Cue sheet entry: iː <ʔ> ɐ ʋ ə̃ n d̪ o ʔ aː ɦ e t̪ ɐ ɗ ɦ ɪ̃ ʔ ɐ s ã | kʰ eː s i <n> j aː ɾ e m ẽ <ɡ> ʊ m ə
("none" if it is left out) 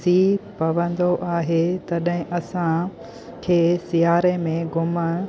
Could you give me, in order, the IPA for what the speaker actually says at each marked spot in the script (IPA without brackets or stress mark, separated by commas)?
p, none, ɡ